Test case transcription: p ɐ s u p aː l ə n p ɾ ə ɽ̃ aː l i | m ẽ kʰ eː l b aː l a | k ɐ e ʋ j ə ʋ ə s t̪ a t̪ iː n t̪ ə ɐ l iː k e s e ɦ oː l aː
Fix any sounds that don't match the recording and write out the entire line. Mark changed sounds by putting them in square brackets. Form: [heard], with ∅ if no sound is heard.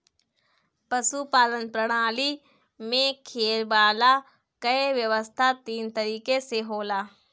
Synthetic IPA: p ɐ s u p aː l ə n p ɾ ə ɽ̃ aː l i | m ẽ kʰ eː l b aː l a | k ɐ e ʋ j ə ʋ ə s [t̪ʰ] a t̪ iː n t̪ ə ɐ [ɾ] iː k e s e ɦ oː l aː